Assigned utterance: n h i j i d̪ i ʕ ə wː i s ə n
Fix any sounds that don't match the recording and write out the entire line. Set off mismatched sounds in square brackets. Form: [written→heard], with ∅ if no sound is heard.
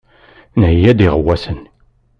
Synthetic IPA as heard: n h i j [i→æ] d̪ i [ʕ→ʁ] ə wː [i→æ] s ə n